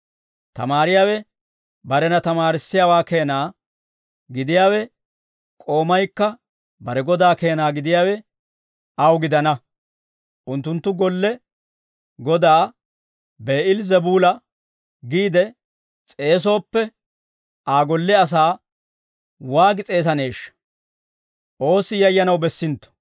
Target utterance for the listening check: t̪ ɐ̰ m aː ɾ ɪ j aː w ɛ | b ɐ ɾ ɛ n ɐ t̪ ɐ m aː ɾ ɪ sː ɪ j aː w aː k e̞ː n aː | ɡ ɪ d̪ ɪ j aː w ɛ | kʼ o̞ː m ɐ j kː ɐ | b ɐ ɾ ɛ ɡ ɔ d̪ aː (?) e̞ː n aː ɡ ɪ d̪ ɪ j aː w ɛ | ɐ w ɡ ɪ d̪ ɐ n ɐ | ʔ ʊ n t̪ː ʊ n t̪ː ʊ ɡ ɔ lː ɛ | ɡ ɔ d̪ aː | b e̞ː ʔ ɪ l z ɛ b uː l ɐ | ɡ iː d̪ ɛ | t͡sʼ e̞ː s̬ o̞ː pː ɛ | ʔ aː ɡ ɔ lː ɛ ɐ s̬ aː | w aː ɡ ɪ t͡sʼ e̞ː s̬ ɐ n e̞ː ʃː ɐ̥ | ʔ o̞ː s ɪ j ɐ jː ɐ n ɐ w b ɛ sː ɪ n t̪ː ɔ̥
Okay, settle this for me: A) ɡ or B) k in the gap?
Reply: B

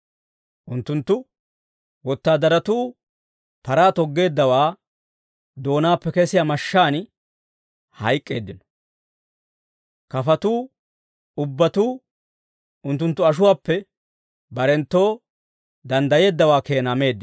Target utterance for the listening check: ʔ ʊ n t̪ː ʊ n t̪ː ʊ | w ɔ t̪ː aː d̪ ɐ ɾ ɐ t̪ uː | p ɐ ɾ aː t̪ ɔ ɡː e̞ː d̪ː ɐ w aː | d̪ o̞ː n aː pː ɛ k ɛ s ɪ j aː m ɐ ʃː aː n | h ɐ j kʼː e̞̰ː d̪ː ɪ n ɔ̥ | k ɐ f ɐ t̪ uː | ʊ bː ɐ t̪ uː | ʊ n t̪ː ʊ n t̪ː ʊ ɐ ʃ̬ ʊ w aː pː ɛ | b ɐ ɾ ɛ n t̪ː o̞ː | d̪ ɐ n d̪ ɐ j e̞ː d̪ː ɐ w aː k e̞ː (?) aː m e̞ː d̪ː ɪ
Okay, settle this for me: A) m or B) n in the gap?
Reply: B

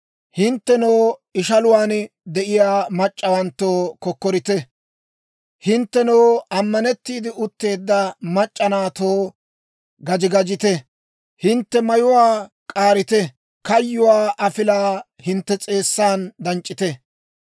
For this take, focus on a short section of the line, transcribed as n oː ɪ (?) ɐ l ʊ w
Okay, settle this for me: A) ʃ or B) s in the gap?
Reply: A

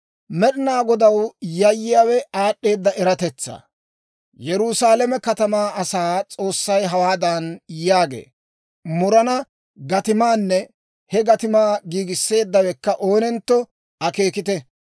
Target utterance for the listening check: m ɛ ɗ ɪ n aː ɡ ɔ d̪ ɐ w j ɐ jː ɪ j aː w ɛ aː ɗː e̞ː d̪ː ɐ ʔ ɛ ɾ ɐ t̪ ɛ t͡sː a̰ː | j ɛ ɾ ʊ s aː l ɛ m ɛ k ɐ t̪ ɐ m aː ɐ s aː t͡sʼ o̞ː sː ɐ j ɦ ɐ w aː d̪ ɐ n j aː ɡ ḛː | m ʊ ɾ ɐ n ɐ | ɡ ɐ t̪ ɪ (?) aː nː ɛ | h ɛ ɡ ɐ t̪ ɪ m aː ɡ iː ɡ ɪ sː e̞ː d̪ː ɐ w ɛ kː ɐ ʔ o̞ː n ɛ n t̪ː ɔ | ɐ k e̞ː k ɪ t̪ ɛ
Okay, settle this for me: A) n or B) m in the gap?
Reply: B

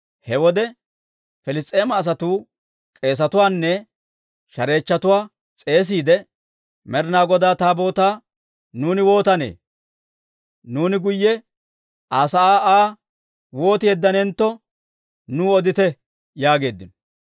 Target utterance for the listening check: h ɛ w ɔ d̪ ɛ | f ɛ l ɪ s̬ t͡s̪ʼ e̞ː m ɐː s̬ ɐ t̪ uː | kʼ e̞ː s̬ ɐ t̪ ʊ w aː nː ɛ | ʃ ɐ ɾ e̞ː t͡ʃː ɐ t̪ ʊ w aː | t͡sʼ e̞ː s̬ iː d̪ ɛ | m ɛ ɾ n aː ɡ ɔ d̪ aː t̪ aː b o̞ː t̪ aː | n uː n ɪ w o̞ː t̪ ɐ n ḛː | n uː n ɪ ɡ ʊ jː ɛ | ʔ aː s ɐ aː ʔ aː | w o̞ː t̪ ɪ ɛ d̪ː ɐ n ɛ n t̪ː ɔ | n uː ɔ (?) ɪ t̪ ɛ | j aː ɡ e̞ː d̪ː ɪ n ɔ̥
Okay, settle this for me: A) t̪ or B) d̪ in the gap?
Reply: B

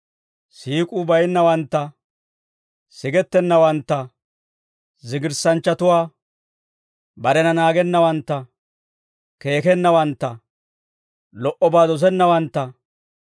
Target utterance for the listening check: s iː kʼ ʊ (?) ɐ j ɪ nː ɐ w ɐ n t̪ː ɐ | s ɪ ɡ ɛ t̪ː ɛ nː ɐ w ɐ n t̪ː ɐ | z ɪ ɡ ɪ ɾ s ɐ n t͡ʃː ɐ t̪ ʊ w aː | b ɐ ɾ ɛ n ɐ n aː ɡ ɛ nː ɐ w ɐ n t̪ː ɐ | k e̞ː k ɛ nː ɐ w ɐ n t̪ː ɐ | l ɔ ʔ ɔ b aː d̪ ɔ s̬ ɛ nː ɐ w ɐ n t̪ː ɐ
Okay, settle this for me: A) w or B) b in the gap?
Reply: B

